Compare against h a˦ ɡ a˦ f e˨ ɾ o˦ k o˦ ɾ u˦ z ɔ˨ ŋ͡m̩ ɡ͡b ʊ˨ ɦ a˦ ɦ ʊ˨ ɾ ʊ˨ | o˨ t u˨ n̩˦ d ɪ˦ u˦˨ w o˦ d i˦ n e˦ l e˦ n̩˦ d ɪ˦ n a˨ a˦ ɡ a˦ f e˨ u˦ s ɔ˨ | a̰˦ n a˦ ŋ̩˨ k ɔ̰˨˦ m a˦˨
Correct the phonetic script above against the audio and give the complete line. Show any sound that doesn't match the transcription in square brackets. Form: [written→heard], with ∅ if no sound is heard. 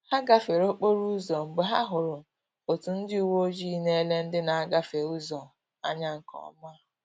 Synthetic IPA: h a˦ ɡ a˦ f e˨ ɾ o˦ [k→k͡p] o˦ ɾ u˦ z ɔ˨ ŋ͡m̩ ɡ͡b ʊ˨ ɦ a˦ ɦ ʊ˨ ɾ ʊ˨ | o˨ t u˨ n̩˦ d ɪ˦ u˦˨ w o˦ [d→d͡ʒ] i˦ n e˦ l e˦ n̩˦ d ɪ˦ n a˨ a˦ ɡ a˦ f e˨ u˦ [s→z] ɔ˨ | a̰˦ [n→ɲ] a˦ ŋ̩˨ k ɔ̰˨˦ m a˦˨